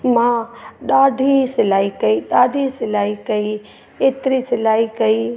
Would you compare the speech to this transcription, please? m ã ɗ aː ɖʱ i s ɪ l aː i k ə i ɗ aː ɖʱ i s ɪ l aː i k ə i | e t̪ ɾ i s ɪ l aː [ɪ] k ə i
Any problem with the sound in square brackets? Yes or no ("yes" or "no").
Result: yes